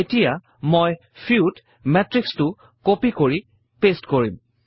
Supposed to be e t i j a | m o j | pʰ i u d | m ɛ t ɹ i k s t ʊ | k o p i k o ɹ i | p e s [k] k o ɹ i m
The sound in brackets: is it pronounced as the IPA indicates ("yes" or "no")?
no